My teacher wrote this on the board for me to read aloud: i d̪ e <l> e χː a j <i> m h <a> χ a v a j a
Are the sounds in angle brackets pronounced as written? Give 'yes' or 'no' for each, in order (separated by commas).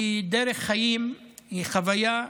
no, yes, no